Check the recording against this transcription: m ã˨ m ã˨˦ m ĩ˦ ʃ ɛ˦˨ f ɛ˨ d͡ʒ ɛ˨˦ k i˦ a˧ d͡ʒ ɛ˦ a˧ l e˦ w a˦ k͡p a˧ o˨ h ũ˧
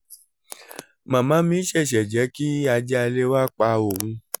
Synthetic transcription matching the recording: m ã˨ m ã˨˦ m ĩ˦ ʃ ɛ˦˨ ʃ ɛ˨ d͡ʒ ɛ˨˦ k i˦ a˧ d͡ʒ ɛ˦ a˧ l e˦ w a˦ k͡p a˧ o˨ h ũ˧